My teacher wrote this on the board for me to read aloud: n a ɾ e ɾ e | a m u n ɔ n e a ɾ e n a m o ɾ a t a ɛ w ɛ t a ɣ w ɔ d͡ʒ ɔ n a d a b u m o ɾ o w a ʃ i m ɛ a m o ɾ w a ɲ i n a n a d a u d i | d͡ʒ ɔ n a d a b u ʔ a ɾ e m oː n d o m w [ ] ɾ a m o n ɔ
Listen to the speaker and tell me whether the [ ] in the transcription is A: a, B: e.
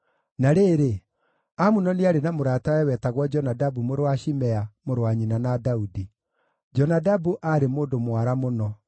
A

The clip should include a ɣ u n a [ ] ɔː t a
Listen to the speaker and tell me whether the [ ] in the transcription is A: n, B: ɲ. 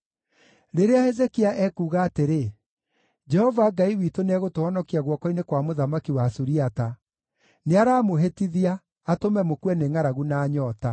B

